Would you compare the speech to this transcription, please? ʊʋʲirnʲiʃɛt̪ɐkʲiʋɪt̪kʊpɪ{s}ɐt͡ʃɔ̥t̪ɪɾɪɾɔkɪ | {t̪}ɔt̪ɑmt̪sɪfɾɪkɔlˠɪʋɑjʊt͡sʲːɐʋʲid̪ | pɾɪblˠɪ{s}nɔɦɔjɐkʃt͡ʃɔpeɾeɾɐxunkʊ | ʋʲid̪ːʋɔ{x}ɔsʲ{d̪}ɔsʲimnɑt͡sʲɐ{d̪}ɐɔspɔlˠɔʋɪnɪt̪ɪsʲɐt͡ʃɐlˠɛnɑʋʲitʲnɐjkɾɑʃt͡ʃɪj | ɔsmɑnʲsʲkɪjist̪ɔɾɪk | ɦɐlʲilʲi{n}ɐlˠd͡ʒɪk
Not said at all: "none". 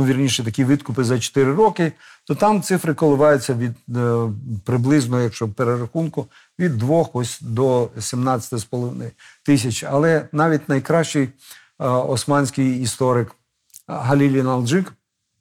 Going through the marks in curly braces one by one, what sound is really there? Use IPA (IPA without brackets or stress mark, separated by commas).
z, t̪, z, x, d̪, t̪, n